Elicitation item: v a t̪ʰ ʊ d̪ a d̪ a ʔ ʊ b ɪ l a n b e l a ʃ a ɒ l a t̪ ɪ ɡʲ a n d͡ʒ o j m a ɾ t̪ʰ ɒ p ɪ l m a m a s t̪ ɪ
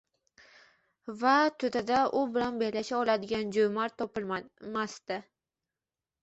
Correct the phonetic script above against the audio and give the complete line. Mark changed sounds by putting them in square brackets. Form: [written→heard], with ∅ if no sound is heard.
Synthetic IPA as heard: v a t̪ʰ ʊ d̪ a d̪ a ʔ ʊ b ɪ l a n b e l a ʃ a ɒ l a [t̪→d̪] ɪ ɡʲ a n d͡ʒ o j m a ɾ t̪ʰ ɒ p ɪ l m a m a s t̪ ɪ